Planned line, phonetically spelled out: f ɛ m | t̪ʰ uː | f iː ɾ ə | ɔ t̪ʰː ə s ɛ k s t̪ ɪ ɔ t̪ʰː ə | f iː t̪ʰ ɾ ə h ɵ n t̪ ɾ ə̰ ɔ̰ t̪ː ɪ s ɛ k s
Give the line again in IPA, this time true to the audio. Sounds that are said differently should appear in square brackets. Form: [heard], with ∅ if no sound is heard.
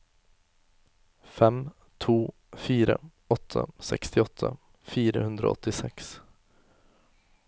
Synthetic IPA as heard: f ɛ m | t̪ʰ uː | f iː ɾ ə | ɔ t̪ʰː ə s ɛ k s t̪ ɪ ɔ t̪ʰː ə | f iː [∅] ɾ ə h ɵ n [d̪] ɾ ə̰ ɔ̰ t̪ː ɪ s ɛ k s